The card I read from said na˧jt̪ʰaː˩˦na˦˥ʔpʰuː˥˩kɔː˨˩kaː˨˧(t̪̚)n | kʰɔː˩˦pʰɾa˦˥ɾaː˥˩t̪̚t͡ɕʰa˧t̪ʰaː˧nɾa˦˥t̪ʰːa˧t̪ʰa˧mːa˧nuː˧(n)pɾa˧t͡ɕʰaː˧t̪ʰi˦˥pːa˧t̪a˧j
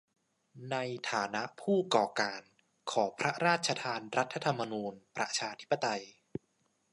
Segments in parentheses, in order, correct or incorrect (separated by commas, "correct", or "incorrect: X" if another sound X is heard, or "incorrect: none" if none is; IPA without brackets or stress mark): incorrect: none, correct